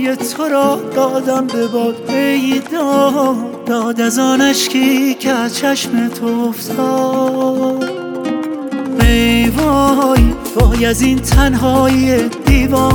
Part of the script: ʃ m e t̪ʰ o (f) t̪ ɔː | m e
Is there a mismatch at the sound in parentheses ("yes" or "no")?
no